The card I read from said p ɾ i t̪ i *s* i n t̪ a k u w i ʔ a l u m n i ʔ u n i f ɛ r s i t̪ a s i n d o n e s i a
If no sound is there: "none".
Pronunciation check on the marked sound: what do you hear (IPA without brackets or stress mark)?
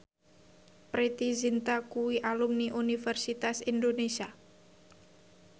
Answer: z